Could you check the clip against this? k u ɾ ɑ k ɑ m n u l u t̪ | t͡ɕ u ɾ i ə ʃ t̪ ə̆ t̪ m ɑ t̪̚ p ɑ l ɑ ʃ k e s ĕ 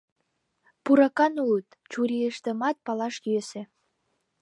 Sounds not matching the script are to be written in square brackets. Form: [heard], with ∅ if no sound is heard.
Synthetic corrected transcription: [p] u ɾ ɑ k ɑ [∅] n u l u t̪ | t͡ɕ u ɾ i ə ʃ t̪ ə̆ [∅] m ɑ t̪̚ p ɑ l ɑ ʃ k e s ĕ

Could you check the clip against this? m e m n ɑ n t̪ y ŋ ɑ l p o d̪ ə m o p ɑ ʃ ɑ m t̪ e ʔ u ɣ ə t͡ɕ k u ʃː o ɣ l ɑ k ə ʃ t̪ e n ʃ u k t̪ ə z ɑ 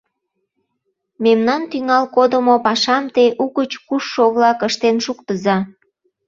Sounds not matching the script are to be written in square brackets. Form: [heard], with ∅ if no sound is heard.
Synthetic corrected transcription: m e m n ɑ n t̪ y ŋ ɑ l [k] o d̪ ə m o p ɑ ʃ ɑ m t̪ e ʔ u ɣ ə t͡ɕ k u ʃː o ɣ l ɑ k ə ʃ t̪ e n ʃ u k t̪ ə z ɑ

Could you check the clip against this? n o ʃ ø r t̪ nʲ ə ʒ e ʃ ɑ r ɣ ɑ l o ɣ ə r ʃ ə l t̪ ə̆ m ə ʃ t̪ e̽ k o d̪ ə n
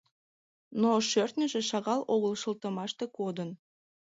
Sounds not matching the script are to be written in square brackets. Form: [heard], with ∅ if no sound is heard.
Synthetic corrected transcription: n o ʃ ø r t̪ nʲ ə ʒ e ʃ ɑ [∅] ɣ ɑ l o ɣ ə [l] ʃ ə l t̪ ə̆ m [ɑ] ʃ t̪ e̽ k o d̪ ə n

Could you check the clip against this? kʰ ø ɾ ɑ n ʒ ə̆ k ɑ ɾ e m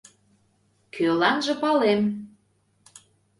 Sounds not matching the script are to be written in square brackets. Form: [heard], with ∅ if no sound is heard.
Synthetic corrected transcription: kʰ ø [l] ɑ n ʒ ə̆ [p] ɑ [l] e m

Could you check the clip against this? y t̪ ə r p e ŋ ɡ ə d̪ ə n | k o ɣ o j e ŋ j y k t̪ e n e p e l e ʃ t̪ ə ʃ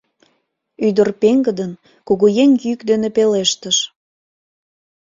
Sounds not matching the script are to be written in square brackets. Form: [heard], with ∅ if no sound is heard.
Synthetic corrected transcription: y [d̪] ə r p e ŋ ɡ ə d̪ ə n | k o ɣ o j e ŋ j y k [d̪] e n e p e l e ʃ t̪ ə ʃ

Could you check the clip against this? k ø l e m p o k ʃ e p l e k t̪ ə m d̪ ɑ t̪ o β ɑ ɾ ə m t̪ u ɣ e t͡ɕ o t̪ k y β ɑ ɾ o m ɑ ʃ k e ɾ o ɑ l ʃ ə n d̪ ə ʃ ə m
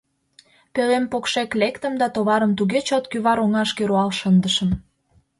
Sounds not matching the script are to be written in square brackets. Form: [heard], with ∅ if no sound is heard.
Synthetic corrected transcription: [p] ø l e m p o k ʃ e [k] l e k t̪ ə m d̪ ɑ t̪ o β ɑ ɾ ə m t̪ u ɣ e t͡ɕ o t̪ k y β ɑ ɾ o [ŋ] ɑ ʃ k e ɾ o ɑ l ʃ ə n d̪ ə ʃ ə m

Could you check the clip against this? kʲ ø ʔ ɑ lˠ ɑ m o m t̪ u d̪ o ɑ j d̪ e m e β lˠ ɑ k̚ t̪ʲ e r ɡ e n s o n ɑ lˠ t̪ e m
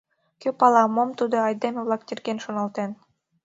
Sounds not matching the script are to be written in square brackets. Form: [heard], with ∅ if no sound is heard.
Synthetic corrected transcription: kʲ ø [p] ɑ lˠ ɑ m o m t̪ u d̪ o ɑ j d̪ e m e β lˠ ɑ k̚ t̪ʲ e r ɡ e n [ʃ] o n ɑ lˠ t̪ e [n]

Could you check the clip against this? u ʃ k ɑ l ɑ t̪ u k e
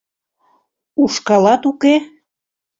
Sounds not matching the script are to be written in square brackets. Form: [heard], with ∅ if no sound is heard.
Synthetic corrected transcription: u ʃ k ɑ l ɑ t̪ u k e

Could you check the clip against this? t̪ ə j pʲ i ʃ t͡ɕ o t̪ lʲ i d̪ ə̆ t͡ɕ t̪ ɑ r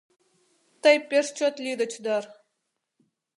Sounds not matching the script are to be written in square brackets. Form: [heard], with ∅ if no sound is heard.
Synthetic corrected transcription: t̪ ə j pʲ [e] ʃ t͡ɕ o t̪ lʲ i d̪ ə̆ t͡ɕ [d̪] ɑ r

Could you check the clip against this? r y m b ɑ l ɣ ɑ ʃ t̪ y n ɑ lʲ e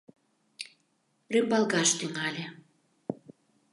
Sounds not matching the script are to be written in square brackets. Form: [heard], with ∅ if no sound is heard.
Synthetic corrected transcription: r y m b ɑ l ɣ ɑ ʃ t̪ y [ŋ] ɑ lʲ e

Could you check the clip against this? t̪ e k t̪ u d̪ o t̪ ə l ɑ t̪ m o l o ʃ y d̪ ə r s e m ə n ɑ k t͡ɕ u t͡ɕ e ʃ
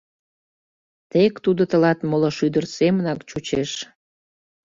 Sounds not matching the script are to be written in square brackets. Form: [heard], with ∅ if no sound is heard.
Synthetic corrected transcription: t̪ e k t̪ u d̪ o t̪ ə l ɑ t̪ m o l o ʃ y d̪ ə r s e m ə n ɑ k t͡ɕ u t͡ɕ e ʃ

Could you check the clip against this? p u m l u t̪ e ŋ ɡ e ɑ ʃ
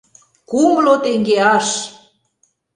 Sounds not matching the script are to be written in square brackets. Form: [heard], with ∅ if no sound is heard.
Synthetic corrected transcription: [k] u m l [o] t̪ e ŋ ɡ e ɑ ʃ

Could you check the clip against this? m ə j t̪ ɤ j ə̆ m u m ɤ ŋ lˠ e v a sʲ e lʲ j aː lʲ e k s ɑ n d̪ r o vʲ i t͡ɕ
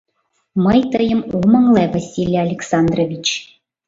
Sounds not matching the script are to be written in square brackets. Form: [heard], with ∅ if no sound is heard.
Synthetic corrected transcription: m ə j t̪ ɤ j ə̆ m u m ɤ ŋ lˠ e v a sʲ [i] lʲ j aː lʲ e k s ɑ n d̪ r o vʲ i t͡ɕ

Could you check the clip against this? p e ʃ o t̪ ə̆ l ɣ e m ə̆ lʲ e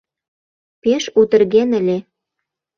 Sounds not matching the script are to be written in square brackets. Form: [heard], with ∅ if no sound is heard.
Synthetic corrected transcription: p e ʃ [u] t̪ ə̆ [r] ɣ e [n] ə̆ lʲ e

